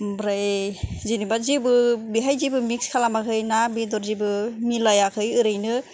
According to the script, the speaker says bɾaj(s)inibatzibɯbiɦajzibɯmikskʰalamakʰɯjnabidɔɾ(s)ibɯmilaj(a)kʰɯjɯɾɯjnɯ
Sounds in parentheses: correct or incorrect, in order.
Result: incorrect: z, incorrect: z, correct

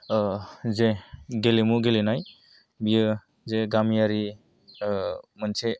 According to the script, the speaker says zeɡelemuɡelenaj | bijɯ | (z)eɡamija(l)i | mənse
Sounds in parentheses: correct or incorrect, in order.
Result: correct, incorrect: ɾ

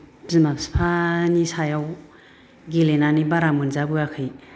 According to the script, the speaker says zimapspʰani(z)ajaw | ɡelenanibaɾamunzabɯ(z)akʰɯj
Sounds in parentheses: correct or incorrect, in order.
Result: incorrect: s, incorrect: none

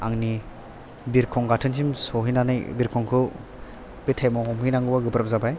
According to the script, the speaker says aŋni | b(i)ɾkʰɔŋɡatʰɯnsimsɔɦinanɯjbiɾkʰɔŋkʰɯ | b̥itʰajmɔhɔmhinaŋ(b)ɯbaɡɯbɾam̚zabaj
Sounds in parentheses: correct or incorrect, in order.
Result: correct, incorrect: ɡ

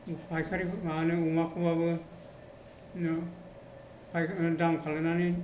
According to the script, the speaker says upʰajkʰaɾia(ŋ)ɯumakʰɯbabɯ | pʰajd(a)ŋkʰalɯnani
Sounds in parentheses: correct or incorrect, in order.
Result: incorrect: n, correct

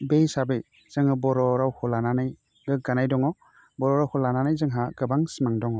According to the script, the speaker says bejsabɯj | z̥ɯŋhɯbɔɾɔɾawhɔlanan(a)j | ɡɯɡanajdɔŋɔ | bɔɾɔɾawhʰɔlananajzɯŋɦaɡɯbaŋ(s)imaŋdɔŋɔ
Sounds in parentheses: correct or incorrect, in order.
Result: correct, correct

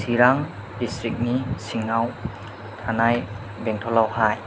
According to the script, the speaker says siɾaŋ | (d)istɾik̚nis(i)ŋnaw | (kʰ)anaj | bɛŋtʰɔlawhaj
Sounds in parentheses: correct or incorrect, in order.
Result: correct, correct, incorrect: tʰ

